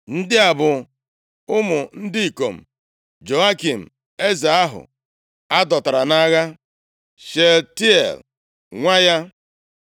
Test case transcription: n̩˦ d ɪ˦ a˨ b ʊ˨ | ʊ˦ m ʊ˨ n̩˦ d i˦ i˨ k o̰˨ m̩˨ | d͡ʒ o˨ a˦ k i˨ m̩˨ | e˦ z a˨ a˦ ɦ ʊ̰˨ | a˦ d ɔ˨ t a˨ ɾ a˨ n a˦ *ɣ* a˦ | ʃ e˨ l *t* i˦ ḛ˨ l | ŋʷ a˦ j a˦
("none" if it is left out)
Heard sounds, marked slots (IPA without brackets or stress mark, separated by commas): ɣ, t